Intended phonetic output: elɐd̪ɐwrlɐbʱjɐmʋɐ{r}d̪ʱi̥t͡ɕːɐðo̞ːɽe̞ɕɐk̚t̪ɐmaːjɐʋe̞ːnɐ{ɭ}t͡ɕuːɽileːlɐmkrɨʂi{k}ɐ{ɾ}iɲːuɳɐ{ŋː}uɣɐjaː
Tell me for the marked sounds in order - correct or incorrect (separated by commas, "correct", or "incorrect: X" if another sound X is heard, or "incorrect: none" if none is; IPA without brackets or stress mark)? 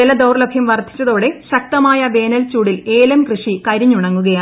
correct, incorrect: l, correct, correct, correct